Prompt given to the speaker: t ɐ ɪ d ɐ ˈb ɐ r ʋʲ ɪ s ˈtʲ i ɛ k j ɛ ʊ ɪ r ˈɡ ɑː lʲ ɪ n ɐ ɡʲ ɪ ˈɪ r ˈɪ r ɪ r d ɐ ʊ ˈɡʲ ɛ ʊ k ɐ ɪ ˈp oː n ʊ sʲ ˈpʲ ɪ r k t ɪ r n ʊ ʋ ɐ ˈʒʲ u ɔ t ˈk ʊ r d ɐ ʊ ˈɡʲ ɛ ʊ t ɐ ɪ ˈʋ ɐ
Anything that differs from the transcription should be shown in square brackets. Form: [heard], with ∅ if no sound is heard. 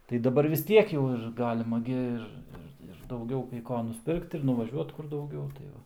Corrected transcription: t ɐ ɪ d ɐ ˈb ɐ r ʋʲ ɪ s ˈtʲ i ɛ k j ɛ ʊ ɪ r ˈɡ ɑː lʲ ɪ [m] ɐ ɡʲ ɪ ˈɪ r ˈɪ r ɪ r d ɐ ʊ ˈɡʲ ɛ ʊ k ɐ ɪ [ˈk] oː n ʊ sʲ ˈpʲ ɪ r k t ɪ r n ʊ ʋ ɐ ˈʒʲ u ɔ t ˈk ʊ r d ɐ ʊ ˈɡʲ ɛ ʊ t ɐ ɪ ˈʋ ɐ